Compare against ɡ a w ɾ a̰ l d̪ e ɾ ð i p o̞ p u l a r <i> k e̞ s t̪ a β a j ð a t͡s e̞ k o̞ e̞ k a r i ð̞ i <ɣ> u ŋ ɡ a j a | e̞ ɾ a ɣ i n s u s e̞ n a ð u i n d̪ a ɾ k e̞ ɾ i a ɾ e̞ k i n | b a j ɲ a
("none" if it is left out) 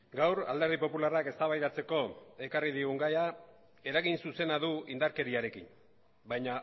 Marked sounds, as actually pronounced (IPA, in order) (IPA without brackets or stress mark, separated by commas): a, ɣ